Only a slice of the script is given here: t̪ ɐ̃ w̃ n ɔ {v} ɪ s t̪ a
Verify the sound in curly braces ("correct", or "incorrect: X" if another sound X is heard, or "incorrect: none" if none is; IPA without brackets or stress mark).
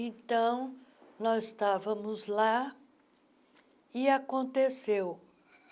incorrect: z